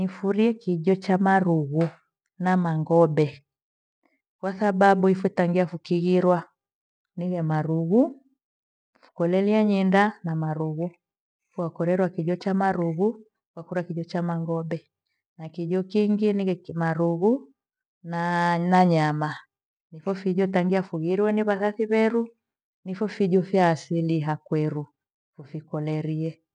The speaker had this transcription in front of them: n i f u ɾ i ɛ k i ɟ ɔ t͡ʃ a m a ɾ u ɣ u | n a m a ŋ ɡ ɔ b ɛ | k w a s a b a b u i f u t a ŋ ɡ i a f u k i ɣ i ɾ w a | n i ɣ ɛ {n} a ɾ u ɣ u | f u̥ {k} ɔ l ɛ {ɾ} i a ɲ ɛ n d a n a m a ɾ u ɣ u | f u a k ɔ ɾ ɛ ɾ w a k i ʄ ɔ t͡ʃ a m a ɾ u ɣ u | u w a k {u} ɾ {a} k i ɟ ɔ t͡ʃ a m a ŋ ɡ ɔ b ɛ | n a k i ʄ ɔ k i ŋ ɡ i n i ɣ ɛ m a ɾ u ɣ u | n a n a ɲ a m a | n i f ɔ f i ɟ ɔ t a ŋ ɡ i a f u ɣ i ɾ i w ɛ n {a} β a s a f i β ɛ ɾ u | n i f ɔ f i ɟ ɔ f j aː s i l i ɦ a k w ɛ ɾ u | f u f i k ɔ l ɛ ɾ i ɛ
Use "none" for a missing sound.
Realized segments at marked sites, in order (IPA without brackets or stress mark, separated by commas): m, k, l, u, a, i